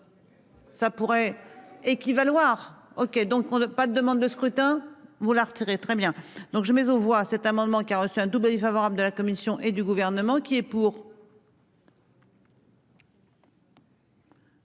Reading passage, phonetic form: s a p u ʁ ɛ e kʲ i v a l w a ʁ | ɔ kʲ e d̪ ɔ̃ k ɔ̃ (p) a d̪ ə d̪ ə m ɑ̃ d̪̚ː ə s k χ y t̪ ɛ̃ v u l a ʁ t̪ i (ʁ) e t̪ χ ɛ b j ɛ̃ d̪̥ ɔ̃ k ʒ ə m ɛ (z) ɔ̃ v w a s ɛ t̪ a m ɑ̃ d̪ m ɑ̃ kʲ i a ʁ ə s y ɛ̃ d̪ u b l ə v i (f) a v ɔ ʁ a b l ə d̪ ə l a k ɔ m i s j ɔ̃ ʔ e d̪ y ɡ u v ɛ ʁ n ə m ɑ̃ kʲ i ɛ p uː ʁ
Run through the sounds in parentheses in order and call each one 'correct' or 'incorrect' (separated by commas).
correct, correct, correct, correct